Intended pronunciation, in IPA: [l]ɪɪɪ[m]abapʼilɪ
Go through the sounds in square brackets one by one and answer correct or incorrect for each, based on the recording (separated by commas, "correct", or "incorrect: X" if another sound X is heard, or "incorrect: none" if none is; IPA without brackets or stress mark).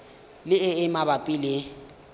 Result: correct, correct